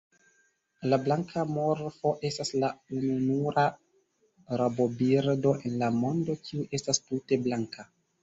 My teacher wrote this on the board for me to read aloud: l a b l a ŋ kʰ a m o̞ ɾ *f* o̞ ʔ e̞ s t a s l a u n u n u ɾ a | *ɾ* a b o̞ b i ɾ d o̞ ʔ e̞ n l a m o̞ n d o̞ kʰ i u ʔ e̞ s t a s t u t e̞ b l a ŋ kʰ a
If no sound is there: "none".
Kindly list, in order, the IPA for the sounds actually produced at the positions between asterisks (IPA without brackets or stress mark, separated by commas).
f, ɾ